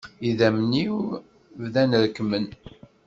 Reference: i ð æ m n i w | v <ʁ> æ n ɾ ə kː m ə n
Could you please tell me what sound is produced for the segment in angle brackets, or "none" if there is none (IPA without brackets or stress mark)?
ð